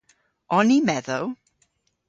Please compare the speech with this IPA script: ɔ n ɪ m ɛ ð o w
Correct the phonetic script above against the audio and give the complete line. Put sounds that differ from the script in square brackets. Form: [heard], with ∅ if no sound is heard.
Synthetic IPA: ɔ n [i] m ɛ ð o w